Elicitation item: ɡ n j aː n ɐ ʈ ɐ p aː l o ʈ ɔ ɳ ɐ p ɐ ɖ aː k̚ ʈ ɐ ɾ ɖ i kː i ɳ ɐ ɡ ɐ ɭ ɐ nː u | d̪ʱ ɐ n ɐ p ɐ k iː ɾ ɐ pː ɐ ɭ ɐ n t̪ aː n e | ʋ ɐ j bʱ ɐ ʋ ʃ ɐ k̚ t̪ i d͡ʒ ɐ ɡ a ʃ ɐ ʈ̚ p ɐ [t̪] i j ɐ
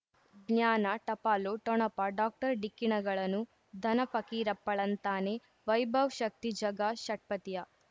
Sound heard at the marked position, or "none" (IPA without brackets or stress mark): t̪